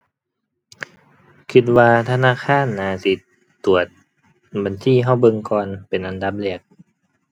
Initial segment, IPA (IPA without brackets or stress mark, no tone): kʰ